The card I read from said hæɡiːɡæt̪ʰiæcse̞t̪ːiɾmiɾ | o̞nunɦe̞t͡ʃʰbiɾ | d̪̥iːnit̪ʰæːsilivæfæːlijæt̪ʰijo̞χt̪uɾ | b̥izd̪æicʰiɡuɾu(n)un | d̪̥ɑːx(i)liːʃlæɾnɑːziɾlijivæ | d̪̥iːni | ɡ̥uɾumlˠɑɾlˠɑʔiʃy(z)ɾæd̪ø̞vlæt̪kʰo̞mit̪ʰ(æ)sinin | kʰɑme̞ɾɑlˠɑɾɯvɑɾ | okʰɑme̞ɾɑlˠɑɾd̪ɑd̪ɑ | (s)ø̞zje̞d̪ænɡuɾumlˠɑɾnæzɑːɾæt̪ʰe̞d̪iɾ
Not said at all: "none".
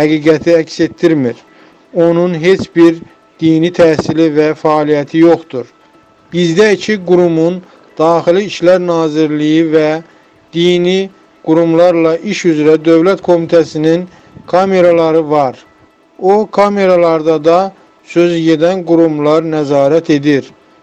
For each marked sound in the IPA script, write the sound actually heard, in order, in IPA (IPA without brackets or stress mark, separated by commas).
m, i, z, æ, s